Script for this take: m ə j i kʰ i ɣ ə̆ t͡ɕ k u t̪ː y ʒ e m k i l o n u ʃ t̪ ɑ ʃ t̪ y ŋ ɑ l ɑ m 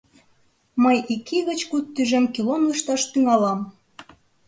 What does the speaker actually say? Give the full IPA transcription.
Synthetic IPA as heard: m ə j i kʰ i ɣ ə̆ t͡ɕ k u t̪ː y ʒ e m k i l o n u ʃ t̪ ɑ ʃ t̪ y ŋ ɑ l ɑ m